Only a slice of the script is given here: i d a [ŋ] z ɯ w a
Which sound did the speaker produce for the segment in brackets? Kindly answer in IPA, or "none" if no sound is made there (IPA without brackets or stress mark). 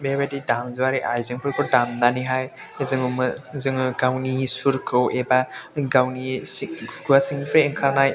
m